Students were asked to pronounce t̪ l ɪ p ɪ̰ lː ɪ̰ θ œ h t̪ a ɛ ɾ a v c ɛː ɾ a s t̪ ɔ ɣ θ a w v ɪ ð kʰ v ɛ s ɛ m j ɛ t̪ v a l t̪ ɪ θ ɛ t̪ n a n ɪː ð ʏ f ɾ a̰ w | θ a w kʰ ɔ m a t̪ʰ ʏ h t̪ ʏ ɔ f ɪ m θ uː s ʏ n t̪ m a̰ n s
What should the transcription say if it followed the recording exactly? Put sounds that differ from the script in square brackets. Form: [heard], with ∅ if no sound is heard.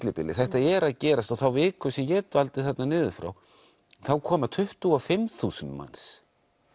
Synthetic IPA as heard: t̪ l ɪ p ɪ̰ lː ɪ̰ θ [ɛ] h t̪ a ɛ ɾ a [ð] c ɛː ɾ a s t̪ ɔ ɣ θ a w v ɪ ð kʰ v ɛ s ɛ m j ɛ t̪ v a l t̪ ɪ θ ɛ t̪ n a n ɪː ð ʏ f ɾ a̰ w | θ a w kʰ [ɔː] m a t̪ʰ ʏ h t̪ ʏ ɔ f ɪ m θ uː s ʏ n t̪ m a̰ n s

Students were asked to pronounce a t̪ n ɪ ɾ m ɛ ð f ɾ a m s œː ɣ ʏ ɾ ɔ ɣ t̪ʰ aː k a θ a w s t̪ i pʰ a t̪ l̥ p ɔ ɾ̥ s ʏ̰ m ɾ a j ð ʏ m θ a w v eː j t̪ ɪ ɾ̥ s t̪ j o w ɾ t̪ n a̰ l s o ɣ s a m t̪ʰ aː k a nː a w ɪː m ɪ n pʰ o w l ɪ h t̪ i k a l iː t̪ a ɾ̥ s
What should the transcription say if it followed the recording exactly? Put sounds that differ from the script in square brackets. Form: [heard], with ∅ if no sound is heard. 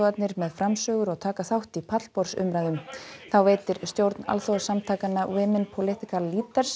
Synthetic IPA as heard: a t̪ n ɪ ɾ m ɛ ð f ɾ a m s œː ɣ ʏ ɾ ɔ ɣ t̪ʰ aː k a θ a w [h] t̪ i pʰ a t̪ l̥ p ɔ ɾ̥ s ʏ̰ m ɾ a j ð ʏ m θ a w v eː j t̪ ɪ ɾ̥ s t̪ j o w ɾ t̪ n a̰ l [θ] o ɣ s a m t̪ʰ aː k a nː a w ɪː m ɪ n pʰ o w l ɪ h t̪ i k a l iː t̪ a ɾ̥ s

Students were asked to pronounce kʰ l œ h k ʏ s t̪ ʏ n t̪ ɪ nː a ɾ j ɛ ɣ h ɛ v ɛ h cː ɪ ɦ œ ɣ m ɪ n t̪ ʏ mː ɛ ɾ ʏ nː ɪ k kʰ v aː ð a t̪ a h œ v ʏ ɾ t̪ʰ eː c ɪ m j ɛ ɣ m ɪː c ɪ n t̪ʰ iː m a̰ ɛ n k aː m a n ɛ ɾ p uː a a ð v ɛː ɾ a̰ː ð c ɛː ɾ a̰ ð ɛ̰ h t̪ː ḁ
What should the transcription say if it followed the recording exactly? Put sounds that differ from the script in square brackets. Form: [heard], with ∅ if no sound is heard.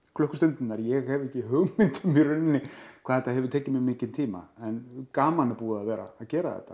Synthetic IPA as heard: kʰ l œ h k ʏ s t̪ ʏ n t̪ ɪ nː a ɾ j ɛ ɣ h ɛ v ɛ h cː ɪ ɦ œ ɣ m ɪ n t̪ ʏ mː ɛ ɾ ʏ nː ɪ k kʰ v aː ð [ɛ] t̪ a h [ɛ] v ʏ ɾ t̪ʰ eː c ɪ m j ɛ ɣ m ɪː c ɪ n t̪ʰ iː m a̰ ɛ n k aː m a n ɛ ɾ p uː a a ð v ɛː ɾ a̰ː ð c ɛː ɾ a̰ ð ɛ̰ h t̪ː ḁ

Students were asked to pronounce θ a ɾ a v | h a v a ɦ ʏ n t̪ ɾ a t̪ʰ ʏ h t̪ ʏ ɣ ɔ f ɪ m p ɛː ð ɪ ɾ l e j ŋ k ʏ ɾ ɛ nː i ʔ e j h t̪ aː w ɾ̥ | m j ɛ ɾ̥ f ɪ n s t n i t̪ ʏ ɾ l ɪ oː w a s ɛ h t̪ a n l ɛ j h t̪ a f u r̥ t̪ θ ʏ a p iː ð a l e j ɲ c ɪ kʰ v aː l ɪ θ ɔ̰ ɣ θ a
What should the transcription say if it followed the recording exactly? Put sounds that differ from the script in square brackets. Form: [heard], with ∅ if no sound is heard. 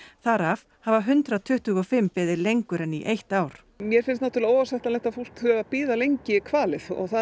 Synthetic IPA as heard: θ a ɾ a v | h a v a ɦ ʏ n t̪ ɾ a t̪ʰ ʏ h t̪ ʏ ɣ ɔ f ɪ m p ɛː ð ɪ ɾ l e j ŋ k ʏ ɾ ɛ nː i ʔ e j h t̪ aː w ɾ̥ | m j ɛ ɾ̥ f ɪ n s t n [a] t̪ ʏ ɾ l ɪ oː w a s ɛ h t̪ a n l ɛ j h t̪ a f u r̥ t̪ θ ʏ a p iː ð a l e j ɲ c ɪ kʰ v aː l ɪ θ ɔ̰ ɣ θ a

